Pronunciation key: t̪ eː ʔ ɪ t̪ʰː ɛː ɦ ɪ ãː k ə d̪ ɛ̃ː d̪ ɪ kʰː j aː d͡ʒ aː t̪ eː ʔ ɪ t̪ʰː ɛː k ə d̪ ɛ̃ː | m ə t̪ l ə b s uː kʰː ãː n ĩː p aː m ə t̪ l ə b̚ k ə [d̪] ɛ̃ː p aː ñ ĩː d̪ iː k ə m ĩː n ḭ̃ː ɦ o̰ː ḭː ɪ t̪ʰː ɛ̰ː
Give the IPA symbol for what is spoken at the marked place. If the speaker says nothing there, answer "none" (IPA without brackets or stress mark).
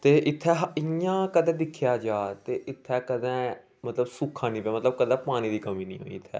d̪